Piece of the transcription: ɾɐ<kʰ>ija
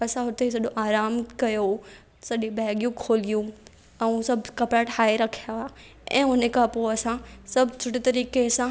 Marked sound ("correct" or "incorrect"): correct